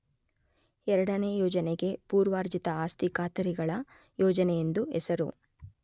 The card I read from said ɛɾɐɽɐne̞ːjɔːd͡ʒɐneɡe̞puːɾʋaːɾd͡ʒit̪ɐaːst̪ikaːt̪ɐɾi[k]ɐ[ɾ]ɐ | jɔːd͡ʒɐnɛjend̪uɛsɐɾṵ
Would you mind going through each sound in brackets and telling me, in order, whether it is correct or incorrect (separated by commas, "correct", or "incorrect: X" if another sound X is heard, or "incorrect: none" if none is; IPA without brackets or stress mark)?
incorrect: ɡ, incorrect: ɭ